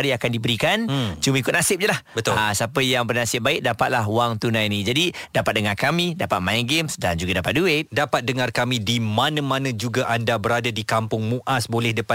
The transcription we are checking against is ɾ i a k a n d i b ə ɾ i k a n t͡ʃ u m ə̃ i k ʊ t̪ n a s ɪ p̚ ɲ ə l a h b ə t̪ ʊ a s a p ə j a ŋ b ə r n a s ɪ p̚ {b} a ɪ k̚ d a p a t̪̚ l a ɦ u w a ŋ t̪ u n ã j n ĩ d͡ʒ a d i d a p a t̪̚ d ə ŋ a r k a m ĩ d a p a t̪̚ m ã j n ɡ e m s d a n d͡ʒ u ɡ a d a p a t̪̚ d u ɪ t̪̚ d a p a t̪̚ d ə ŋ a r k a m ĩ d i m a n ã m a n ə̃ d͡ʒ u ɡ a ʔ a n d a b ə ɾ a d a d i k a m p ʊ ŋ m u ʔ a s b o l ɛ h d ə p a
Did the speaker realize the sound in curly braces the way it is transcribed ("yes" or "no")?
yes